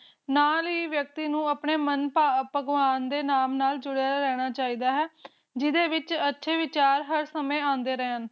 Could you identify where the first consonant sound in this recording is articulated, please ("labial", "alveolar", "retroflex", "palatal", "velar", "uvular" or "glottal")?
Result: alveolar